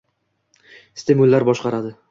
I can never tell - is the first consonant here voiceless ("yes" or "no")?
yes